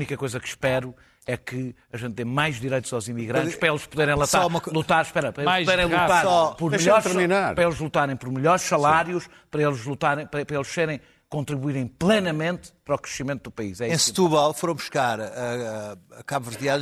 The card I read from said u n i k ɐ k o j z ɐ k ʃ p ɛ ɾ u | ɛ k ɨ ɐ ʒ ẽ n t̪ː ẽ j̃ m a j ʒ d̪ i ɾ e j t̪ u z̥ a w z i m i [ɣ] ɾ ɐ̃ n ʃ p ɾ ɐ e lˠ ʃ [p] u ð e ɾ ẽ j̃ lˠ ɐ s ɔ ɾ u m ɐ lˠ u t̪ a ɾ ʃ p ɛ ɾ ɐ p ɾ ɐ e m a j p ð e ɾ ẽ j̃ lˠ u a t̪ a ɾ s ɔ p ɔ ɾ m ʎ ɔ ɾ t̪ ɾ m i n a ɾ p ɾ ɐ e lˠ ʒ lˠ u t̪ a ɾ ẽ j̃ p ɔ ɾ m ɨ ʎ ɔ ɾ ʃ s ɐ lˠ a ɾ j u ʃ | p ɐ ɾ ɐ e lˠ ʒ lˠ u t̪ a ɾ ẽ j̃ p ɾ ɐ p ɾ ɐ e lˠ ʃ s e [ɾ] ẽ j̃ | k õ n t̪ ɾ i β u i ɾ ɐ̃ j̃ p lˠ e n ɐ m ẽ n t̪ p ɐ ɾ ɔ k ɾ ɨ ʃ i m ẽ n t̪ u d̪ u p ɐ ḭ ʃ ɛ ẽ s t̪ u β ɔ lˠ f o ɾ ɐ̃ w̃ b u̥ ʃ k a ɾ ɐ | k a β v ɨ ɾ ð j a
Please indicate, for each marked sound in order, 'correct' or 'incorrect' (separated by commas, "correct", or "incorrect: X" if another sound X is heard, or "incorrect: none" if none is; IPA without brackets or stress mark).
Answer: correct, correct, correct